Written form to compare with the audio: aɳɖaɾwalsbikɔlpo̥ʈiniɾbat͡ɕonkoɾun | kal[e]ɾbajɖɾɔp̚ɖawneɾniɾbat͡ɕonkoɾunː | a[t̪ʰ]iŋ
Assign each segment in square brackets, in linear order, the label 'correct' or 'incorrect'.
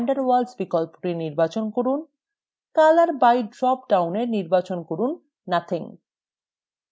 incorrect: a, correct

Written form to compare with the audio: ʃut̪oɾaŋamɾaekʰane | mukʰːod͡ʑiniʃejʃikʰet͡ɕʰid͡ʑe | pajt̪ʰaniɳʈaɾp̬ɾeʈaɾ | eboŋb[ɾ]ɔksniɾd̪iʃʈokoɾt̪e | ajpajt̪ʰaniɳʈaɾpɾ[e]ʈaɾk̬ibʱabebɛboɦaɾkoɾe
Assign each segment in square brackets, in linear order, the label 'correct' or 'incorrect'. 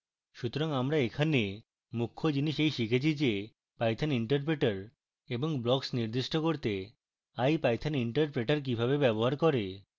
incorrect: l, correct

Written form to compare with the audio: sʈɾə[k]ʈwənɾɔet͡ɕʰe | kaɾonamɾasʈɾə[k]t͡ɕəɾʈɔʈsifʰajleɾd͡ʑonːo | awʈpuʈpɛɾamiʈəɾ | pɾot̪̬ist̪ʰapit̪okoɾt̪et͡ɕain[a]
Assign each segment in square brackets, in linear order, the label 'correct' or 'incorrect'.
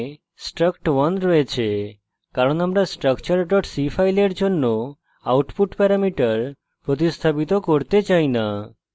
correct, correct, correct

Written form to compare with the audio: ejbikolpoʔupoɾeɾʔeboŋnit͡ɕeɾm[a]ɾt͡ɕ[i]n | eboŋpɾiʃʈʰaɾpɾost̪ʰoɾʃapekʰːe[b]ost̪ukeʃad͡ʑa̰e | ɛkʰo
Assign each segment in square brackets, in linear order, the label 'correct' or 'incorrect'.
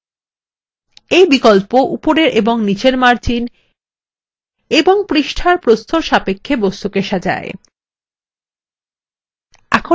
correct, correct, correct

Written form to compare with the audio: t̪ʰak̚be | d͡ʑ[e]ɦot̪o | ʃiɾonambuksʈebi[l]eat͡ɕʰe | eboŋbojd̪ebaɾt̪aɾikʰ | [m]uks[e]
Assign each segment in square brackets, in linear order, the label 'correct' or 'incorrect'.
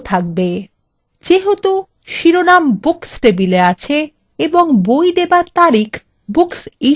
correct, correct, incorrect: b, incorrect: i

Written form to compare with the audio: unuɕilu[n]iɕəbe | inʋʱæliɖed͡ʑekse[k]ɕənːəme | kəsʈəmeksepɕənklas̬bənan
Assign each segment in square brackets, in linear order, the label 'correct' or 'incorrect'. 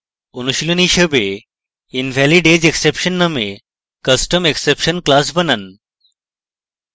correct, incorrect: p

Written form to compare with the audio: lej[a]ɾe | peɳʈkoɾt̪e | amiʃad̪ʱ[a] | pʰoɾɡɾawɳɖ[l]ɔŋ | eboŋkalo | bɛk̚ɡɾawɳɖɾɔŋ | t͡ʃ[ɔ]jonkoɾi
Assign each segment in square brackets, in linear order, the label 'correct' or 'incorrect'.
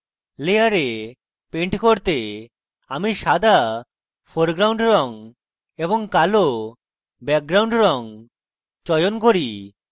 correct, correct, incorrect: ɾ, correct

